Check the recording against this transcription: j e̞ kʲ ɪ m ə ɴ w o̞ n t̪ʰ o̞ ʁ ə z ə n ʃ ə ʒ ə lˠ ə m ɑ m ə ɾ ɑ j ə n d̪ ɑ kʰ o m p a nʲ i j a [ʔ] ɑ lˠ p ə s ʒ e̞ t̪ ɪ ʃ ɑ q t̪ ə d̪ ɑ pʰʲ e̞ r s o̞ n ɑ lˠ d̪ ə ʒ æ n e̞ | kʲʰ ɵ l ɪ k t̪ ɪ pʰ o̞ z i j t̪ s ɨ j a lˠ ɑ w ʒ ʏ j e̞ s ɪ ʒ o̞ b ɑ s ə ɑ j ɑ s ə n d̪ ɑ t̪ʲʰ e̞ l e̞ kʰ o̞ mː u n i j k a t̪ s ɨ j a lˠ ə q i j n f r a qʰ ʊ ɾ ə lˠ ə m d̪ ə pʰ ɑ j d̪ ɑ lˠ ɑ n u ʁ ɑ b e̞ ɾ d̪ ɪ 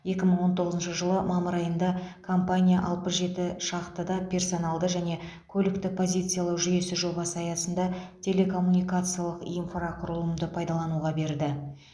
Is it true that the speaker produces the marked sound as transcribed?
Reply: yes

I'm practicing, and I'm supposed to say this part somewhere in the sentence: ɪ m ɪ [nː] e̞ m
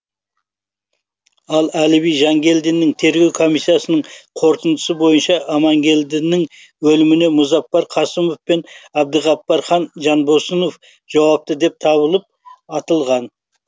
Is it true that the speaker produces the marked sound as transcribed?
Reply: no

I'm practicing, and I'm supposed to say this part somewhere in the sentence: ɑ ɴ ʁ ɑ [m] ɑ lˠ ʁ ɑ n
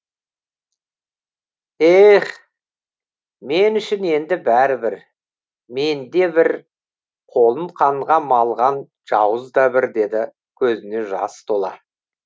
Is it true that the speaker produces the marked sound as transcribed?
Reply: yes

